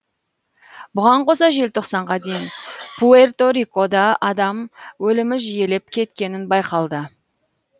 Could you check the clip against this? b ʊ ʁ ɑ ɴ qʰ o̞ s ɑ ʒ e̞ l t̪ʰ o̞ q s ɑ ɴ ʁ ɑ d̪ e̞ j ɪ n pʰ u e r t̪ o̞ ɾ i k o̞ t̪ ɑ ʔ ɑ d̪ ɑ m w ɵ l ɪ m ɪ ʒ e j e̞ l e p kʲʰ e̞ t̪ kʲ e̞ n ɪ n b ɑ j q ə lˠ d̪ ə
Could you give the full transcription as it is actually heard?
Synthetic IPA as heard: b ʊ ʁ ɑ ɴ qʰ o̞ s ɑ ʒ e̞ l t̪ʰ o̞ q s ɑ ɴ ʁ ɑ d̪ e̞ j ɪ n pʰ u e r t̪ o̞ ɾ i k o̞ d̪ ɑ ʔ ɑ d̪ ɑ m w ɵ l ɪ m ɪ ʒ i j e̞ l e p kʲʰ e̞ t̪ kʲ e̞ n ɪ n b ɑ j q ɑ lˠ d̪ ə

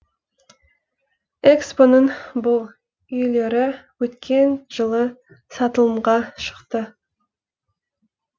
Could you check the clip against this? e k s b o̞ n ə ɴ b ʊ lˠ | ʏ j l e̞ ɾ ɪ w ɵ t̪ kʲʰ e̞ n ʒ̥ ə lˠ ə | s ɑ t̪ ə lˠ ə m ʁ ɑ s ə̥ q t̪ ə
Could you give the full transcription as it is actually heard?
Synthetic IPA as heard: e k s p o̞ n ə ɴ b ʊ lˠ | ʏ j l e̞ ɾ ɪ w ɵ t̪ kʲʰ e̞ n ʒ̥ ə lˠ ə | s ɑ t̪ ə lˠ ə m ʁ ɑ ʃ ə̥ q t̪ ə

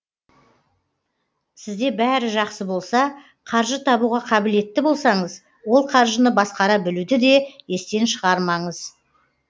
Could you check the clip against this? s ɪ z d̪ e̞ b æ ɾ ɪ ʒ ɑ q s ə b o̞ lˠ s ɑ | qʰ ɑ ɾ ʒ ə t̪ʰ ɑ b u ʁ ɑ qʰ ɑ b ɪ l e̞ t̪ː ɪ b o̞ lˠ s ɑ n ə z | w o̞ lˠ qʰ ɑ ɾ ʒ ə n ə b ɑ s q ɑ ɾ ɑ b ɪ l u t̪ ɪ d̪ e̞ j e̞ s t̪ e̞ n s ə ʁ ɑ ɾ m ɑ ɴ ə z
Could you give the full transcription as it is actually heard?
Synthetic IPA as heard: s ɪ z d̪ e̞ b æ ɾ ɪ ʒ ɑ q s ə b o̞ lˠ s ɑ | qʰ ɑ ɾ ʒ ə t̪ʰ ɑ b u ʁ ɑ qʰ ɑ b ɪ l e̞ t̪ː ɪ b o̞ lˠ s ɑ ɴ ə z | w o̞ lˠ qʰ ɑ ɾ ʒ ə n ə b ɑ s q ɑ ɾ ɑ b ɪ l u d̪ ɪ d̪ e̞ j e̞ s t̪ e̞ n ʃ ə ʁ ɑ ɾ m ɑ ɴ ə z

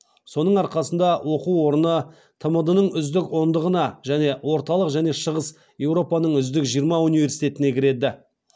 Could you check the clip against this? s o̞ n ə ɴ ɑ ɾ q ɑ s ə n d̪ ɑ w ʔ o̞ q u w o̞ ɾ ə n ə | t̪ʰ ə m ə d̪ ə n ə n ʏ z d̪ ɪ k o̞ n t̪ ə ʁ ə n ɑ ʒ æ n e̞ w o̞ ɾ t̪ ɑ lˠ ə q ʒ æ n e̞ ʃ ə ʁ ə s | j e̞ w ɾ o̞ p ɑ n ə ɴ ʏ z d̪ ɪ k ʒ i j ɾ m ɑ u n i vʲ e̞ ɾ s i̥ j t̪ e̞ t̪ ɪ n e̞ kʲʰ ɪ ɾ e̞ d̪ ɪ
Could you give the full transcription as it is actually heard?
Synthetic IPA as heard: s o̞ n ə ɴ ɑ ɾ q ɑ s ə n d̪ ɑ w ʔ o̞ q u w o̞ ɾ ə n ə | t̪ʰ ə m ə d̪ ə n ə ɴ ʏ z d̪ ɪ k o̞ n d̪ ə ʁ ə n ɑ ʒ æ n e̞ w o̞ ɾ t̪ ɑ lˠ ə q ʒ æ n e̞ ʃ ə ʁ ə s | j e̞ w ɾ o̞ p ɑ n ə ɴ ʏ z d̪ ɪ k ʒ i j ɾ m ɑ u n i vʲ e̞ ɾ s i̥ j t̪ e̞ t̪ ɪ n e̞ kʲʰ ɪ ɾ e̞ d̪ ɪ

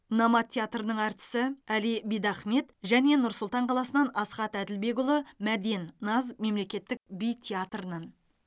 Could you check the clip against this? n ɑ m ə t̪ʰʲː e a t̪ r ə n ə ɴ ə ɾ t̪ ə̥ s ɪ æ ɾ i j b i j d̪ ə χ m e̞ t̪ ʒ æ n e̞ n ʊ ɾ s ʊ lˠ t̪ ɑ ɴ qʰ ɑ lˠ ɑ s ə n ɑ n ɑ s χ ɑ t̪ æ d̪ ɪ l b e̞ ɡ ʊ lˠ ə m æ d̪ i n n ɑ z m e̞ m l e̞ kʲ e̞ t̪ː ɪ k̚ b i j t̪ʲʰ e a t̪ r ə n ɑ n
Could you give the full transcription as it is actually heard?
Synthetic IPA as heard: n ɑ m ɑ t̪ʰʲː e a t̪ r ə n ə ɴ ɑ ɾ t̪ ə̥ s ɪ æ l i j b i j d̪ ɑ χ m e̞ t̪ ʒ æ n e̞ n ʊ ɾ s ʊ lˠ t̪ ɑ ɴ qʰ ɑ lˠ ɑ s ə n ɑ n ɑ s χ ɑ t̪ æ d̪ ɪ l b e̞ ɡ ʊ lˠ ə m æ d̪ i n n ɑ z m e̞ m l e̞ kʲ e̞ t̪ː ɪ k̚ b i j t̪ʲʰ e a t̪ r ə n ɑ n

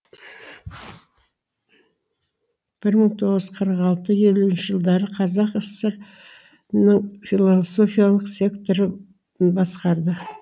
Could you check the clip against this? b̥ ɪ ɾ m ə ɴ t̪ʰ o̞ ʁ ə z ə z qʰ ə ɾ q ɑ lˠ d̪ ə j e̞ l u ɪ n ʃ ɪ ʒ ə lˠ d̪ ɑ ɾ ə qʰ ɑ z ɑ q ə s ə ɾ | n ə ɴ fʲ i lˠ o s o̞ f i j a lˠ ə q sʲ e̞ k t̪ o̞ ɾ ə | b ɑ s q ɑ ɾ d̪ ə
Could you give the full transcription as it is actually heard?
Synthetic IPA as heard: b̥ ɪ ɾ m ə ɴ t̪ʰ o̞ ʁ ə z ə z qʰ ə ɾ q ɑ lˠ t̪ ə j e̞ l u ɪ n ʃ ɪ ʒ ə lˠ d̪ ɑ ɾ ə qʰ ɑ z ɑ q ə s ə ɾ | n ə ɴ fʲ i lˠ o s o̞ f i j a lˠ ə q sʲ e̞ k t̪ o̞ ɾ ə | b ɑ s q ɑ ɾ d̪ ə

